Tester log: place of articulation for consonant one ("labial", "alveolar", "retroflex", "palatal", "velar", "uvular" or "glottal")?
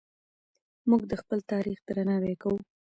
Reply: labial